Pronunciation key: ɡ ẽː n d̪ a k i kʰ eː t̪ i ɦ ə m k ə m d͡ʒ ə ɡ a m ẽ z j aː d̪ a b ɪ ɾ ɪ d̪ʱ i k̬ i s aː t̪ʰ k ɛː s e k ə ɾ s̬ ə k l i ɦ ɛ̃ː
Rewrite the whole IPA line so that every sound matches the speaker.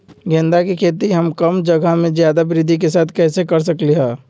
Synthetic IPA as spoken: ɡ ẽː n d̪ a k i kʰ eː t̪ i ɦ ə m k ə m d͡ʒ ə ɡ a m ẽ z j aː d̪ a b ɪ ɾ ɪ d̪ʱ i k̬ e s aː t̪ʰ k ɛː s e k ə ɾ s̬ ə k l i ɦ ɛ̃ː